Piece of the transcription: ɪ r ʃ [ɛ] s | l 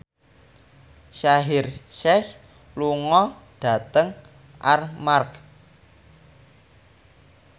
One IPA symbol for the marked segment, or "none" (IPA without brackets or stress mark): ɛ